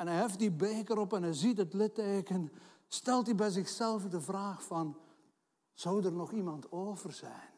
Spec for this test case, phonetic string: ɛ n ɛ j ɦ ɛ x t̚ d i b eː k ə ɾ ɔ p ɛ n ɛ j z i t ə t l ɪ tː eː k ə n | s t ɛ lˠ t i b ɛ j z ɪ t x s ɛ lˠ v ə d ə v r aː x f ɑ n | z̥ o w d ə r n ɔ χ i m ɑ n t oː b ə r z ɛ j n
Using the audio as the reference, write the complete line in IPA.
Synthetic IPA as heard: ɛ n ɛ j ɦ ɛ f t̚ d i b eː k ə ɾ ɔ p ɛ n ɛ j z i t ə t l ɪ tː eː k ə n | s t ɛ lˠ t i b ɛ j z ɪ x s ɛ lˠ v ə d ə v r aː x f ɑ n | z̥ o w d ə r n ɔ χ i m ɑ n t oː v ə r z ɛ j n